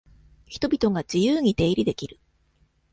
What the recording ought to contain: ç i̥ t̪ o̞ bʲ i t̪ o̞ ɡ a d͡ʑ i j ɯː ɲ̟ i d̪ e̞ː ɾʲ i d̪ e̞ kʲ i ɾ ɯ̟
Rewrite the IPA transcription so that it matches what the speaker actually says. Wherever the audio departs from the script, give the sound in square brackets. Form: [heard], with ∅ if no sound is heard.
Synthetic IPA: ç i̥ t̪ o̞ bʲ i t̪ o̞ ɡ a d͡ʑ i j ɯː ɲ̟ i [t̪] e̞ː ɾʲ i d̪ e̞ kʲ i ɾ ɯ̟